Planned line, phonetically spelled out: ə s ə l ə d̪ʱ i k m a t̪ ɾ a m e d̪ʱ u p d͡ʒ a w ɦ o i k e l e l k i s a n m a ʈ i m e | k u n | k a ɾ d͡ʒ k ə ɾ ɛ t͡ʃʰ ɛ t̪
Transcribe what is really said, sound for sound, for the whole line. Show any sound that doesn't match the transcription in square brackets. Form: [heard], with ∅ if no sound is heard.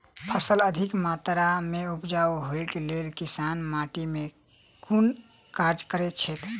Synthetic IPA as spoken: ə s ə l ə d̪ʱ i k m a t̪ ɾ a m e [∅] u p d͡ʒ a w ɦ o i k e l e l k i s a n m a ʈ i m e | k u n | k a ɾ d͡ʒ k ə ɾ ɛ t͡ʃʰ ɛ t̪